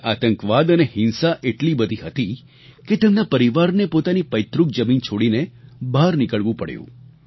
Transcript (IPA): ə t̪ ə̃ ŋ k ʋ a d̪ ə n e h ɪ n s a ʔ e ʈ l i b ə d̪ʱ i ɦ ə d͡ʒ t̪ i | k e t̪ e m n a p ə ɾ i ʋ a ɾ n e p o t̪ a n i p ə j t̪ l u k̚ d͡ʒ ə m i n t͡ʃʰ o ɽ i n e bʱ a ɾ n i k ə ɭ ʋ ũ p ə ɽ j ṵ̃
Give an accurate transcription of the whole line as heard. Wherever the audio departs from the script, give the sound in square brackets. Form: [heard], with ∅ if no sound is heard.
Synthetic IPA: [a] t̪ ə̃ ŋ k ʋ a d̪ ə n e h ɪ n s a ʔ e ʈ l i b ə d̪ʱ i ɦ ə [∅] t̪ i | k e t̪ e m n a p ə ɾ i ʋ a ɾ n e p o t̪ a n i p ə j t̪ [ɾ] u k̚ d͡ʒ ə m i n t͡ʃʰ o ɽ i n e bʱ a ɾ n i k ə ɭ ʋ ũ p ə ɽ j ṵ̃